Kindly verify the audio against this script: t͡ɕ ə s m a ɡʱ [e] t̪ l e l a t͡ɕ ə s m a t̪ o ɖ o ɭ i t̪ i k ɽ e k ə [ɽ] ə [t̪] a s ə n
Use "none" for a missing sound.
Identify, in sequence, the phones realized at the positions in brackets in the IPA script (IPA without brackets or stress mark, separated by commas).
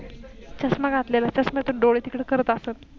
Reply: a, ɾ, t̪